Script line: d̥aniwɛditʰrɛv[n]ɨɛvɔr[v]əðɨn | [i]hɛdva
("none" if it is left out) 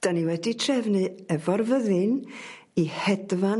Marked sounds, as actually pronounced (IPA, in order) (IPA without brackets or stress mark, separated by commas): n, v, i